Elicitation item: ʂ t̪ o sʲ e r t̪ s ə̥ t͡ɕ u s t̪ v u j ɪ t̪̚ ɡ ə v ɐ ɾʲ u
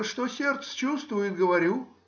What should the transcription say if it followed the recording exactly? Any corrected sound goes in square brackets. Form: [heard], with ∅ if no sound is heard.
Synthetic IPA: ʂ t̪ o sʲ e r t̪ s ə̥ t͡ɕ u s t̪ v [ʊ] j ɪ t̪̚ ɡ ə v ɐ ɾʲ u